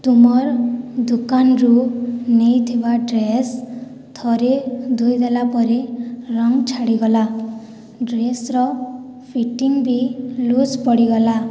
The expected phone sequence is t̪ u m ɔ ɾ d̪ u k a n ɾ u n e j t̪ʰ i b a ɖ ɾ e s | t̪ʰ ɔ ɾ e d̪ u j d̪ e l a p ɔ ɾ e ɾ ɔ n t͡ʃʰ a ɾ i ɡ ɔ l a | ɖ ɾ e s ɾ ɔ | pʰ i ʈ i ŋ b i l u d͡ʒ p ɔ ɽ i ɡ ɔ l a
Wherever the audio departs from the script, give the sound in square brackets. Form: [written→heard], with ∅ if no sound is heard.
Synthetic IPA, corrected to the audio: t̪ u m ɔ ɾ d̪ u k a n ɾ u n e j t̪ʰ i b a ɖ ɾ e s | t̪ʰ ɔ ɾ e d̪ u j d̪ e l a p ɔ ɾ e ɾ ɔ [n→ŋ] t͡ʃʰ a [ɾ→ɽ] i ɡ ɔ l a | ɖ ɾ e s ɾ ɔ | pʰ i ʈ i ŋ b i l u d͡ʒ p ɔ ɽ i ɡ ɔ l a